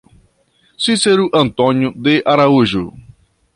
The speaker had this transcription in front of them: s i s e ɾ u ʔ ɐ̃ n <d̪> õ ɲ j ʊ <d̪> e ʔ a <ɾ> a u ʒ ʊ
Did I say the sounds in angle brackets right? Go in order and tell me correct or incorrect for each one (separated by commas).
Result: incorrect, correct, correct